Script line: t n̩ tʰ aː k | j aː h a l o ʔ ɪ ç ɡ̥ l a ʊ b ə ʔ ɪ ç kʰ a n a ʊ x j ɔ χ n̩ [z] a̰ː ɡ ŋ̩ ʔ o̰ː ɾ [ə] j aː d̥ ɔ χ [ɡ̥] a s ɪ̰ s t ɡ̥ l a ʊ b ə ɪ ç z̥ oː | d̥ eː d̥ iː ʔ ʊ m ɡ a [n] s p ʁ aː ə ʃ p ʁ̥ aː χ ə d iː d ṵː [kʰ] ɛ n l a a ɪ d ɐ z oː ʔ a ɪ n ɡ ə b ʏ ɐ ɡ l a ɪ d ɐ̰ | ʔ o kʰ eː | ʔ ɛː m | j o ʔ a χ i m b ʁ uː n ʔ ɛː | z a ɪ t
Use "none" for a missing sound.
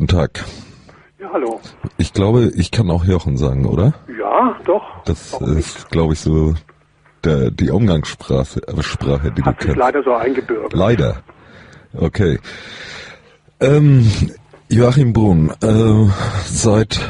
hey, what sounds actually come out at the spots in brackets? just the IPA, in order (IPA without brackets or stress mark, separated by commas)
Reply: z, ɐ, d̥, ŋ, kʰ